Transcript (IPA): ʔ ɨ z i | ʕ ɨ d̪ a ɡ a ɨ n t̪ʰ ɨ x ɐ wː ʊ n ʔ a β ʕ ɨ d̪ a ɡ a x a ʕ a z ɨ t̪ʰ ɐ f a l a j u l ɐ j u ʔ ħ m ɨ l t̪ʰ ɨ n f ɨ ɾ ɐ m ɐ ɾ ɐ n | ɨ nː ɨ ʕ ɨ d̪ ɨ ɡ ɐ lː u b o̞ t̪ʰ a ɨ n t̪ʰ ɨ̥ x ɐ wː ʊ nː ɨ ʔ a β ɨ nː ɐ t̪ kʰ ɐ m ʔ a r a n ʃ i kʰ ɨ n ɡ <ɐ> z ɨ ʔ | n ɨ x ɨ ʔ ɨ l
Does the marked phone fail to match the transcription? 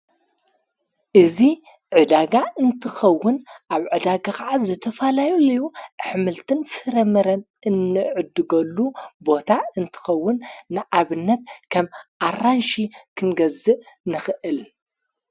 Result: no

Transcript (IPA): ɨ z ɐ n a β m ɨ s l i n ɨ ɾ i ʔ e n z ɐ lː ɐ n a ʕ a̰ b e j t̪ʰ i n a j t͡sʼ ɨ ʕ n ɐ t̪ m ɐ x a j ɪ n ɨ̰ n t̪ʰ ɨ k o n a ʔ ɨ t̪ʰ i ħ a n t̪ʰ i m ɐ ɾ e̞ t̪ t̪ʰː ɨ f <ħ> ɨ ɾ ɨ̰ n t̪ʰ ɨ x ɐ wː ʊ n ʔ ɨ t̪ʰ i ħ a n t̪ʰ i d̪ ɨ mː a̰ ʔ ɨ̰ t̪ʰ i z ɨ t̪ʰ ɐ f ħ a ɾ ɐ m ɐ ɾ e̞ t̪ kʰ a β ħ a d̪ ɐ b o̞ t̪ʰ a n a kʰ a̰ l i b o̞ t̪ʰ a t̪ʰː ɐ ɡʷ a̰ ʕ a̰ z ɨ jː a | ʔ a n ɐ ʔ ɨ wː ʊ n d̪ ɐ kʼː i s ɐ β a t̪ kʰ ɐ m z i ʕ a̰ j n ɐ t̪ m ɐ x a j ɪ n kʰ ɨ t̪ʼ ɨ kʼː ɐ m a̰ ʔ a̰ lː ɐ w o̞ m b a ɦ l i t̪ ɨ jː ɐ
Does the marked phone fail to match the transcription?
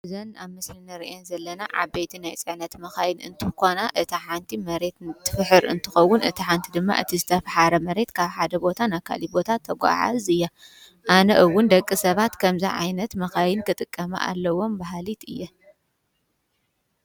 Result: no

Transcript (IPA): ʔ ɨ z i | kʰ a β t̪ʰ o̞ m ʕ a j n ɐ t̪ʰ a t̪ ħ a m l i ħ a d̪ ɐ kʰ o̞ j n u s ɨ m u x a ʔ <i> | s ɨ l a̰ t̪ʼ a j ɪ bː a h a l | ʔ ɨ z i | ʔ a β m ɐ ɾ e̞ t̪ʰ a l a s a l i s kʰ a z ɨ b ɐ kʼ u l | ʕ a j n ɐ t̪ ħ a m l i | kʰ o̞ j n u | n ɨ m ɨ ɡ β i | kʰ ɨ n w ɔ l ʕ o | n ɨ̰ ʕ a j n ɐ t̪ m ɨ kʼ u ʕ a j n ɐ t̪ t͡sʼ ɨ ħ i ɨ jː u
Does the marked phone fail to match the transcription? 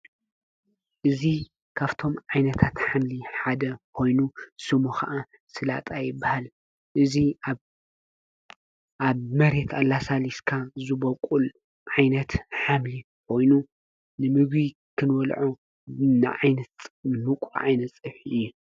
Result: yes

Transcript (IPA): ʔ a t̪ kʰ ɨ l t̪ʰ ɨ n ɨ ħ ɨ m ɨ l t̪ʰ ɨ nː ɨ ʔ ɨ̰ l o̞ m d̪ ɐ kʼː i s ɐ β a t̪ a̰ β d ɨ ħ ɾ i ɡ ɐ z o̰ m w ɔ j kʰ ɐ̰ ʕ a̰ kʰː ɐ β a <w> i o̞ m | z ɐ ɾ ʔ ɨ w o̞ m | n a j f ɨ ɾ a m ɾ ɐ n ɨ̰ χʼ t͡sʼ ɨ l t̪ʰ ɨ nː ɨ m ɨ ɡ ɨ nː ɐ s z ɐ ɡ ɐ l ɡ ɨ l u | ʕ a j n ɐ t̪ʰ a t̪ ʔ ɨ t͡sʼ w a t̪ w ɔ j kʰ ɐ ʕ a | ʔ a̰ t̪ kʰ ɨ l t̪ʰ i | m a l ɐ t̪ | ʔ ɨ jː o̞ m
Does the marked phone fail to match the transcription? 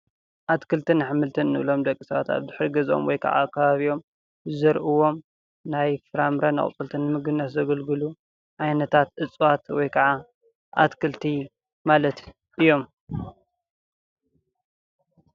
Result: yes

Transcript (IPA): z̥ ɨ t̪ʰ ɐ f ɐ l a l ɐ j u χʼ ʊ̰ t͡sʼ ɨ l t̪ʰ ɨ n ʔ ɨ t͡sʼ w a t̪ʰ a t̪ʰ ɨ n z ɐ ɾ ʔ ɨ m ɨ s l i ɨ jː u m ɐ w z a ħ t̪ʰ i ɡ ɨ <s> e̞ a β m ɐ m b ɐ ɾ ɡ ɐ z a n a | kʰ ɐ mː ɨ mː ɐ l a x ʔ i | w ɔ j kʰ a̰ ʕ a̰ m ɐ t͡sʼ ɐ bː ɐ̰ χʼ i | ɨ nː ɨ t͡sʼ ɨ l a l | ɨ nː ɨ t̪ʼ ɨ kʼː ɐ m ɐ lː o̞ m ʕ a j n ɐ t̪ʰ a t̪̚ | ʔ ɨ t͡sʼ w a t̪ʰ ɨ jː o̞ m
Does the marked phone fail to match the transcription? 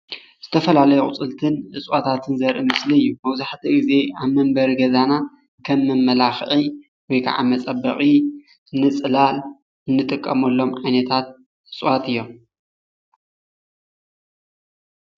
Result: yes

